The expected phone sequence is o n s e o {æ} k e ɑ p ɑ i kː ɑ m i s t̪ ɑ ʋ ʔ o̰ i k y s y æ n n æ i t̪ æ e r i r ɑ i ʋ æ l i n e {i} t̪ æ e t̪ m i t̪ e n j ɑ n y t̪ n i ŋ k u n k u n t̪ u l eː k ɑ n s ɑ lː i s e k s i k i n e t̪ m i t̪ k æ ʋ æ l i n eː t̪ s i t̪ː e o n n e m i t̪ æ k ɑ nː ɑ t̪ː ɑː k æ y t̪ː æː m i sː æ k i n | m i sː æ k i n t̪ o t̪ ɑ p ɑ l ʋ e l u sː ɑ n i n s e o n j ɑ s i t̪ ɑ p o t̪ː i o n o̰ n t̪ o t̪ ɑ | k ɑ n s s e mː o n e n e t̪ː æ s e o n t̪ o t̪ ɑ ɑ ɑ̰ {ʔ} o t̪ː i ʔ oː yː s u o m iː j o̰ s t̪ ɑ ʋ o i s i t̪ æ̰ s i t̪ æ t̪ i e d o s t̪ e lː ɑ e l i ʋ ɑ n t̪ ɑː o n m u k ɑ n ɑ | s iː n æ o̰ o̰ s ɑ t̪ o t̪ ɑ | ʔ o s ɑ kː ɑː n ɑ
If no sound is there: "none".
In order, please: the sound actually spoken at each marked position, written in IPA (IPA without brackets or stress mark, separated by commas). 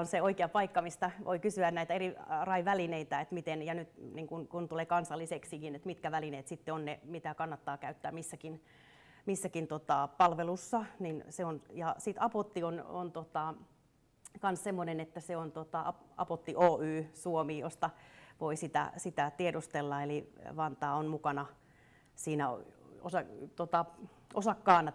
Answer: i, i, p